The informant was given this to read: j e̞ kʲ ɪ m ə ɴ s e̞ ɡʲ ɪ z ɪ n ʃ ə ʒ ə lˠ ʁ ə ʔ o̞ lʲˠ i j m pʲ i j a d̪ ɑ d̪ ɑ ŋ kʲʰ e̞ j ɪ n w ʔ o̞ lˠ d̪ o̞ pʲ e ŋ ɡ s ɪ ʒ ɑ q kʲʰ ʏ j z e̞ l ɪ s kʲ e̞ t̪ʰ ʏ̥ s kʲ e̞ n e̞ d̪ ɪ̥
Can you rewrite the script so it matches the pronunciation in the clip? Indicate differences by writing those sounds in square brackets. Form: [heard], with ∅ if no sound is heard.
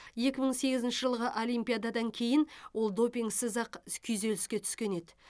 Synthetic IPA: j e̞ kʲ ɪ m ə ɴ s e̞ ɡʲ ɪ z ɪ n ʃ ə ʒ ə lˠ ʁ ə ʔ o̞ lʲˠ i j m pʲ i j a d̪ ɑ d̪ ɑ ŋ kʲʰ e̞ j ɪ n w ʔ o̞ lˠ d̪ o̞ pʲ [i] ŋ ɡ s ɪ [z] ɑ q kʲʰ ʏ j z e̞ l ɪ s kʲ e̞ t̪ʰ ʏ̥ s kʲ e̞ n e̞ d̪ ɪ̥